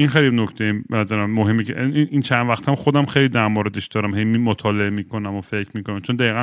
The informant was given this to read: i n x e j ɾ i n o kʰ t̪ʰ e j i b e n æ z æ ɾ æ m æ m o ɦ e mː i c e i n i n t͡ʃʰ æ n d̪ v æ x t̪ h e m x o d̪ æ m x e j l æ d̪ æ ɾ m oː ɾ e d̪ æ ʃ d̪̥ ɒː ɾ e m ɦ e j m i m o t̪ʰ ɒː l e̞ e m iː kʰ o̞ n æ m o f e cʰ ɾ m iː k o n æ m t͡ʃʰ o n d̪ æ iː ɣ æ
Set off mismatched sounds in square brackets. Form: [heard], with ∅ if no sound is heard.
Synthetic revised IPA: i n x e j [l] i n o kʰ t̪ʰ e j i b e n æ z æ ɾ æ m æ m o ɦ e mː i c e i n i n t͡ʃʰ æ n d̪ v æ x t̪ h [æ] m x o d̪ æ m x e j l [i] d̪ æ ɾ m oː ɾ e d̪ [e] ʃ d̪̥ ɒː ɾ [æ] m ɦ e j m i m o t̪ʰ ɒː l e̞ e m iː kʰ o̞ n æ m o f e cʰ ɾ m iː k o n æ m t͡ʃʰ o n d̪ æ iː ɣ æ